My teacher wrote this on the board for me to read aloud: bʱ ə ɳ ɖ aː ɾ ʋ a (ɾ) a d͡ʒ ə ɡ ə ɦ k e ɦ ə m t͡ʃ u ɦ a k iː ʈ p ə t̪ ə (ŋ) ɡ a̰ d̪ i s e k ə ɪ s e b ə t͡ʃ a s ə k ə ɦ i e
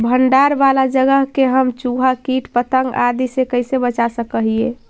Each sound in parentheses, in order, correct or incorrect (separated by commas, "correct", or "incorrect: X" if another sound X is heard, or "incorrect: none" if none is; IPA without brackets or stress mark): incorrect: l, correct